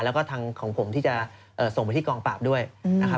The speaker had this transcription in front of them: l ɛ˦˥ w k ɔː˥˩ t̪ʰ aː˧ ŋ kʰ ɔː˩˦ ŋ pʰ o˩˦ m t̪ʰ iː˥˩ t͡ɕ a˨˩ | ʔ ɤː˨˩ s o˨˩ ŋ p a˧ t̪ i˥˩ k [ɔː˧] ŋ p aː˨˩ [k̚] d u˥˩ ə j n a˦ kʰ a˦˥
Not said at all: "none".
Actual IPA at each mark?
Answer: ɔː˧, p̚

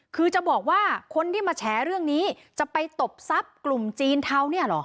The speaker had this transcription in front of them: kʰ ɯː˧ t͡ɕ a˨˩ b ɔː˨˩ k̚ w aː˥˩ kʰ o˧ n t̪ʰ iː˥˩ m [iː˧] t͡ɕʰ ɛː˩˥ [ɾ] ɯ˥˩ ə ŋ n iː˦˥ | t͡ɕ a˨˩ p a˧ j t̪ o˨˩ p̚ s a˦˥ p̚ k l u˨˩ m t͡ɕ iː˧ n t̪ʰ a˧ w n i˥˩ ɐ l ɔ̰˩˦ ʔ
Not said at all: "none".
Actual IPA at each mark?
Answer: aː˧, ɾ

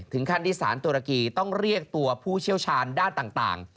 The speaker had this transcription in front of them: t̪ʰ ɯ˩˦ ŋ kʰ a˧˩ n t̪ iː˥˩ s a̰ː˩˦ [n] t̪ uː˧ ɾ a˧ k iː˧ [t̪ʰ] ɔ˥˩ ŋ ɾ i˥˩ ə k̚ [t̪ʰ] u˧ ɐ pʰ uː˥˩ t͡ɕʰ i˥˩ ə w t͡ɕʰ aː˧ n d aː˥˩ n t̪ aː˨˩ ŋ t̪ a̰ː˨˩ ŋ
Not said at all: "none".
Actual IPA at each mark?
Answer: n, t̪, t̪

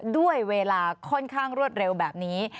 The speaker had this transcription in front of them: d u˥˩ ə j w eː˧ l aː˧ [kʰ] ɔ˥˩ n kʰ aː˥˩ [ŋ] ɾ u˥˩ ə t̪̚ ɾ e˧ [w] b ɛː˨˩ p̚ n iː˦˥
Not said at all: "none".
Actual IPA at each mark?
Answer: kʰ, ŋ, w

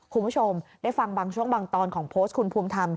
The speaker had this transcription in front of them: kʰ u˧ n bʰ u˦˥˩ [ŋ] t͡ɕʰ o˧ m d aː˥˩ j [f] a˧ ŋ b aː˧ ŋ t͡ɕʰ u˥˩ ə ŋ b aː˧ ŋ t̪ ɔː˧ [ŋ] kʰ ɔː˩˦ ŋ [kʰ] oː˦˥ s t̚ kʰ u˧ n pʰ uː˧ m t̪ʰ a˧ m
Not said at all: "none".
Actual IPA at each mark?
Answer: none, f, n, pʰ

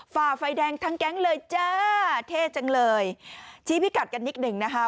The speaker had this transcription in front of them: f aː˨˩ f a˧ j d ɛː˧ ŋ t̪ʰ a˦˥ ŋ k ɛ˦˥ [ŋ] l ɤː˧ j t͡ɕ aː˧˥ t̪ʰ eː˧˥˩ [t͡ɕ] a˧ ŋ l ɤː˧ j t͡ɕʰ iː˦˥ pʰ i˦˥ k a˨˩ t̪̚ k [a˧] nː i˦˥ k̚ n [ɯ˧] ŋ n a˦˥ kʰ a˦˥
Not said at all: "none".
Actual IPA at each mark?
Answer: ŋ, t͡ɕ, a˧, ɯ˨˩

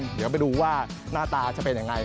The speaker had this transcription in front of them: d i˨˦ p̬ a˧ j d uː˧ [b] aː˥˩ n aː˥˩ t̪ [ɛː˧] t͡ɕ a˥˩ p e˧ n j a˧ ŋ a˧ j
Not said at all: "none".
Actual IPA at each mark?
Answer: w, aː˧

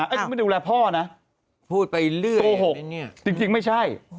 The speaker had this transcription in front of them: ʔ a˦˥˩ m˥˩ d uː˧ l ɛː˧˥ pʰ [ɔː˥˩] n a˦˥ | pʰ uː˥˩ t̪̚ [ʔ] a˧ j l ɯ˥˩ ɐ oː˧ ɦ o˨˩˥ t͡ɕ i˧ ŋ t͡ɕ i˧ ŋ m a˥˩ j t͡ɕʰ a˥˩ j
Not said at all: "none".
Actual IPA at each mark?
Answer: ɔː˥˩, p

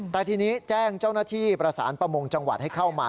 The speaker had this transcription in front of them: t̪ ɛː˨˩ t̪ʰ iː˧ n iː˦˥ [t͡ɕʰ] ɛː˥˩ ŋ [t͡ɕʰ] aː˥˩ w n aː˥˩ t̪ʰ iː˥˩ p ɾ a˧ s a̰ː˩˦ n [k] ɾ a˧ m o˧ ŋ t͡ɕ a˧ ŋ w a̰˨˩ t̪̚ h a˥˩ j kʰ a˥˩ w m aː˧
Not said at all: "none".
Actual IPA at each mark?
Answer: t͡ɕ, t͡ɕ, p

